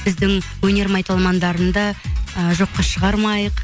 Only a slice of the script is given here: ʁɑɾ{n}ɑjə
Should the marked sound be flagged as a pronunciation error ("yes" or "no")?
yes